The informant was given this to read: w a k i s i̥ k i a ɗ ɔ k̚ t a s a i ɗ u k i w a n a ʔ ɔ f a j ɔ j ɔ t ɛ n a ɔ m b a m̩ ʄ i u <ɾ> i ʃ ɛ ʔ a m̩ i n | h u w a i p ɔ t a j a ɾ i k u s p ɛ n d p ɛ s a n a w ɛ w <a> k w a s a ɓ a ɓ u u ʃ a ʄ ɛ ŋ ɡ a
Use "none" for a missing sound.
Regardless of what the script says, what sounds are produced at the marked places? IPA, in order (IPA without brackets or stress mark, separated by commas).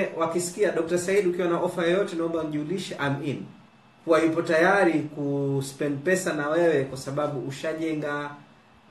l, ɛ